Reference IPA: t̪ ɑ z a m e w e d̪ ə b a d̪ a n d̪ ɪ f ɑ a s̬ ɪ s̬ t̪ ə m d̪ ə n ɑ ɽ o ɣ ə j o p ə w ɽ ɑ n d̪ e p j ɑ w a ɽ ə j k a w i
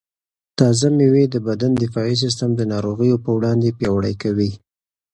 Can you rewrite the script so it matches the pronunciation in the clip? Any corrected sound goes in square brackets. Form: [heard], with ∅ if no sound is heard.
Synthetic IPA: t̪ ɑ z a m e w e d̪ ə b a d̪ a n d̪ ɪ f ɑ [i] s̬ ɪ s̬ t̪ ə m d̪ ə n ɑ [ɾ] o ɣ ə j o p ə w ɽ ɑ n d̪ e p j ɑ w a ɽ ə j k a w i